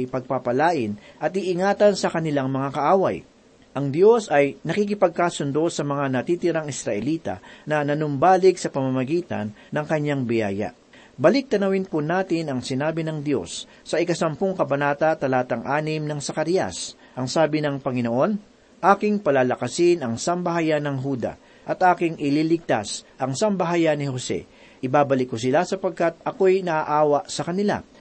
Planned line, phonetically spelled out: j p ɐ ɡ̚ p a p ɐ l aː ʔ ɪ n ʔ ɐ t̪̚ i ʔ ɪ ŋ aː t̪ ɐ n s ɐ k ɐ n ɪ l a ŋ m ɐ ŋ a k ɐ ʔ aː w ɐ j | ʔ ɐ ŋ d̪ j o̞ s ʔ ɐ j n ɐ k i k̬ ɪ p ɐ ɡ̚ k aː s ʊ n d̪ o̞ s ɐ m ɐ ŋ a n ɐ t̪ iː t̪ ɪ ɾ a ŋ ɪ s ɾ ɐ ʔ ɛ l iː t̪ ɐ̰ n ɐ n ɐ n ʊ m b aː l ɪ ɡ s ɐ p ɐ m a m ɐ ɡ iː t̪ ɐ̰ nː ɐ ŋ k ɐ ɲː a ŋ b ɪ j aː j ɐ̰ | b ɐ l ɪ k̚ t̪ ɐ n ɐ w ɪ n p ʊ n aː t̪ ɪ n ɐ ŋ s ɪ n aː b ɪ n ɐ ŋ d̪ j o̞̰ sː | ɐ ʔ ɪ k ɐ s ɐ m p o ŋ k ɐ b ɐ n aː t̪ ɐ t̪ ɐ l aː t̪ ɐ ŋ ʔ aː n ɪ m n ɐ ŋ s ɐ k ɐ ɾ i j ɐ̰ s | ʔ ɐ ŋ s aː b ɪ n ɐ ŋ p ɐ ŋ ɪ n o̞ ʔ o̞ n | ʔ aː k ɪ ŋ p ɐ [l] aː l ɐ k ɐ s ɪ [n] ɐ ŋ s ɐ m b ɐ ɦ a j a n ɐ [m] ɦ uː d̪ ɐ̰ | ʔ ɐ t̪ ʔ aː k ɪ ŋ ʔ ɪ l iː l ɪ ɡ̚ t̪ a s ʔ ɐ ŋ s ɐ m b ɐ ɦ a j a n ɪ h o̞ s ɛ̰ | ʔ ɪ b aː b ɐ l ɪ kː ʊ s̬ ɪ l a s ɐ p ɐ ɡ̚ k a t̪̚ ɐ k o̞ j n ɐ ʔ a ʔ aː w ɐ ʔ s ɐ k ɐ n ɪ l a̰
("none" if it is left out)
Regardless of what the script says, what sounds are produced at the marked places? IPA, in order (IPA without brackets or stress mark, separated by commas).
l, n, ŋ